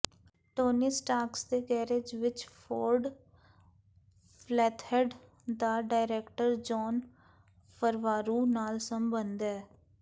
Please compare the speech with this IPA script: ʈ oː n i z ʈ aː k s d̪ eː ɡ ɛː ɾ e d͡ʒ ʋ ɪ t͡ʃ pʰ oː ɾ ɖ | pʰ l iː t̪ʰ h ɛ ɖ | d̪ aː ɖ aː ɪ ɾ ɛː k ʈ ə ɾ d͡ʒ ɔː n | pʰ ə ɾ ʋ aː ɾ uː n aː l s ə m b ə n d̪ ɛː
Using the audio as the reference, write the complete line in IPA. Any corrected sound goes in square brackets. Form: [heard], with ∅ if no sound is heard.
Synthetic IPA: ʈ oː n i [s] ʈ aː k s d̪ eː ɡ ɛː ɾ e d͡ʒ ʋ ɪ t͡ʃ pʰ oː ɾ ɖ | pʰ l [ɛː] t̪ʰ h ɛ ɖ | d̪ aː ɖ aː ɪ ɾ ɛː k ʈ ə ɾ d͡ʒ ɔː n | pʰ ə ɾ ʋ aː ɾ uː n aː l s ə m b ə n d̪ ɛː